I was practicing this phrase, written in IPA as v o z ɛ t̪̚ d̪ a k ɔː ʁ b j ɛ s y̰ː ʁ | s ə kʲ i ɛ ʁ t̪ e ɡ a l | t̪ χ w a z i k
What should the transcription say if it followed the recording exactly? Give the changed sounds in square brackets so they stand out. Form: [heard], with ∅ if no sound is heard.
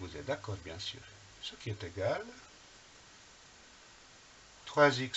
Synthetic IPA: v [u] z ɛ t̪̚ d̪ a k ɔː ʁ b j [ɛ̃] s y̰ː ʁ | s ə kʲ i ɛ [∅] t̪ e ɡ a l | t̪ χ w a z i k